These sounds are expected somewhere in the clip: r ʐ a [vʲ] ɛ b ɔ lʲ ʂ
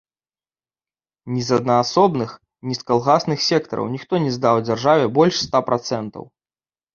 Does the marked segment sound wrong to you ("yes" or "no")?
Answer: no